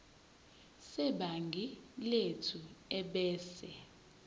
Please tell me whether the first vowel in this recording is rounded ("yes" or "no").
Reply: no